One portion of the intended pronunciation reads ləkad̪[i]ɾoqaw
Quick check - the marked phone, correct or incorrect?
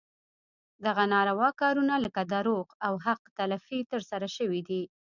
incorrect